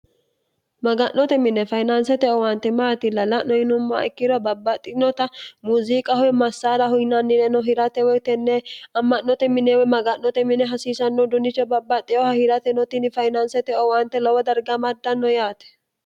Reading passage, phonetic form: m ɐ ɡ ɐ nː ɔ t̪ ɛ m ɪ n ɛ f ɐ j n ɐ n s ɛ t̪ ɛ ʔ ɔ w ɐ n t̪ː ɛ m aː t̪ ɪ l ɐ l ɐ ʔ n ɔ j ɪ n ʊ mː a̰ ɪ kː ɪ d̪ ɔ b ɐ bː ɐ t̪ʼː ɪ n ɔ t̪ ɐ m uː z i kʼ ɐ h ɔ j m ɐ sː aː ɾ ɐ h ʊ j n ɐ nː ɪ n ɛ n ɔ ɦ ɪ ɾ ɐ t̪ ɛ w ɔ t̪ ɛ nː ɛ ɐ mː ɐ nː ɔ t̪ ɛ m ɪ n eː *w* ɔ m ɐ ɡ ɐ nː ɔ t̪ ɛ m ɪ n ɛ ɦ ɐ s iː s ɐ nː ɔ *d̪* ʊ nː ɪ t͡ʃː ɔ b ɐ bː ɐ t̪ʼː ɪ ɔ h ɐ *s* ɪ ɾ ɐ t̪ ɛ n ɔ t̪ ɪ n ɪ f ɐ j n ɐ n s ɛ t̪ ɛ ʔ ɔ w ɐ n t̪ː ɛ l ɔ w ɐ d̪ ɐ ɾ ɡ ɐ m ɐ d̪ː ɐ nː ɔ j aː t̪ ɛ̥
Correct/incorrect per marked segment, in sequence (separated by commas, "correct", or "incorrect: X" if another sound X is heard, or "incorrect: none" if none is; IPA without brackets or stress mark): correct, correct, incorrect: h